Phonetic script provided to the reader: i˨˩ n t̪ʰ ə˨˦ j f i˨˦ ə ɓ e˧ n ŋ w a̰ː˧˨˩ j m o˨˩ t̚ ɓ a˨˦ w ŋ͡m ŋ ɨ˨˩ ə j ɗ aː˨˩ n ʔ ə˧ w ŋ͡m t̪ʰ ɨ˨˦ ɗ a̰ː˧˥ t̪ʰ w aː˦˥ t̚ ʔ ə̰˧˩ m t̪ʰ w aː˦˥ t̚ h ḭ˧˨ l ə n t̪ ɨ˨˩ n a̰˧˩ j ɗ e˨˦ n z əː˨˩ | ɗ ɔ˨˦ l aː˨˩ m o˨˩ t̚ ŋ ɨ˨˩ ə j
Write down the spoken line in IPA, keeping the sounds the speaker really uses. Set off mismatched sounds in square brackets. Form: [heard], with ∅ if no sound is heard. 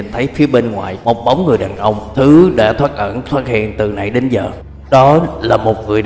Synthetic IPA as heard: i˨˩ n t̪ʰ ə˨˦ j f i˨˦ ə ɓ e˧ n ŋ w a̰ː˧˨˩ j m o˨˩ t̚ ɓ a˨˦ w ŋ͡m ŋ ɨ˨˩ ə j ɗ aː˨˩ n ʔ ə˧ w ŋ͡m t̪ʰ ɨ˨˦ ɗ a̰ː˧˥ t̪ʰ w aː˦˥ t̚ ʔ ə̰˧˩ [n] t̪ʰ w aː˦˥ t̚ h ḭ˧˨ [∅] ə n t̪ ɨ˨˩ n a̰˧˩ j ɗ e˨˦ n z əː˨˩ | ɗ ɔ˨˦ l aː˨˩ m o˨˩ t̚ ŋ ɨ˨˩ ə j